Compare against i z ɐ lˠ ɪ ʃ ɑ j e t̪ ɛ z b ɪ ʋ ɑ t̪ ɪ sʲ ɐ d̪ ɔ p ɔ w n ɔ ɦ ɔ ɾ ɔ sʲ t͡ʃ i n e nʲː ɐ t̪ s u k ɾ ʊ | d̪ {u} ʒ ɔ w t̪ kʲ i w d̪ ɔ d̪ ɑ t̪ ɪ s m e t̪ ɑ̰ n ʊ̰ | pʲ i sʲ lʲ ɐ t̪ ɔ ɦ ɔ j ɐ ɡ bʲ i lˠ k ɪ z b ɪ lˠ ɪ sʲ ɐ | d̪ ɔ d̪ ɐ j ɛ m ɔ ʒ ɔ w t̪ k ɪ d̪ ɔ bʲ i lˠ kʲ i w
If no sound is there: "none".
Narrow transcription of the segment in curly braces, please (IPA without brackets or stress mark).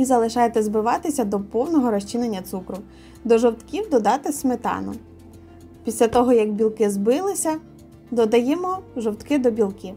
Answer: ɔ